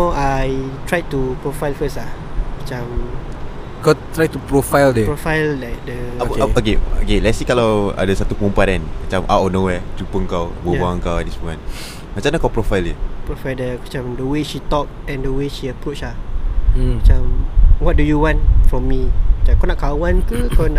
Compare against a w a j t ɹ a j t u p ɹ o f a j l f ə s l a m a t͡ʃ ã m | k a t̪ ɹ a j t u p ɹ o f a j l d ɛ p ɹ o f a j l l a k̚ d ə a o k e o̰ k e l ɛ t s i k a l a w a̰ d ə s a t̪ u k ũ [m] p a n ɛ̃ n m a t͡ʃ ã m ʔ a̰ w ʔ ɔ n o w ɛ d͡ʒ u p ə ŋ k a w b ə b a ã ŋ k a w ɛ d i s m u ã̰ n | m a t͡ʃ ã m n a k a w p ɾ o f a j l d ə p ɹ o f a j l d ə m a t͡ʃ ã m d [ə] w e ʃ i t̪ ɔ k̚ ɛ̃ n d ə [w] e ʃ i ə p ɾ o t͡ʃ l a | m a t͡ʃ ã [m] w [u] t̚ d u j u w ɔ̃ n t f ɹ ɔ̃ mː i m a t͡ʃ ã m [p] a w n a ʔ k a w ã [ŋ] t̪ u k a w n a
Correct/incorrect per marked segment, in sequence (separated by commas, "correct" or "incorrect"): correct, correct, correct, correct, incorrect, incorrect, incorrect